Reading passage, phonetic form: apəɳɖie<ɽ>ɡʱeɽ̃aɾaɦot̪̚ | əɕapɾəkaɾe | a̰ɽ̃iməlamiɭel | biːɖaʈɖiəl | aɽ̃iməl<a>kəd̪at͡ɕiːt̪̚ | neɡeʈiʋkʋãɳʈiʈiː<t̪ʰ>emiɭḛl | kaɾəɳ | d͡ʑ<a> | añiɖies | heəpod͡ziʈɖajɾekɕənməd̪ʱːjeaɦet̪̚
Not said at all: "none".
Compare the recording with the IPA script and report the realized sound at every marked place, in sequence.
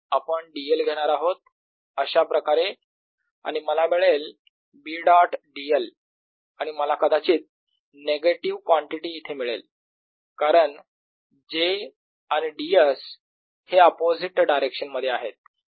l, a, t̪ʰ, e

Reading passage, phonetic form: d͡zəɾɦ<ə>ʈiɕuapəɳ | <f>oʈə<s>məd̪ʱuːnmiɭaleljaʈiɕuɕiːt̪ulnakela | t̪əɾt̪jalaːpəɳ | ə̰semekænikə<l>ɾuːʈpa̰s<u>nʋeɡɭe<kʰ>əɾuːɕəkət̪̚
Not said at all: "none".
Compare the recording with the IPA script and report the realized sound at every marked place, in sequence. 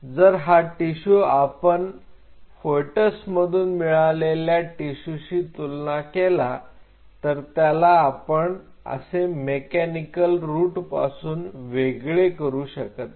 a, f, s, l, uː, k

